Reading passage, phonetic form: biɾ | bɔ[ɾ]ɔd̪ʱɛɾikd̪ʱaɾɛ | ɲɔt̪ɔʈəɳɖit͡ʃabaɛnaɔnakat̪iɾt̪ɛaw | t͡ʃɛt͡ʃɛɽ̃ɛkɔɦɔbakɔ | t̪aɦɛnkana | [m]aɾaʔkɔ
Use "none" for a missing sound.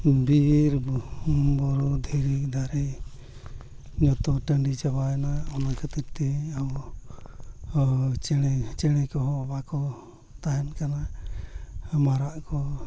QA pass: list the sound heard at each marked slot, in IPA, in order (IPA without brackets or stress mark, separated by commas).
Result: ɾ, m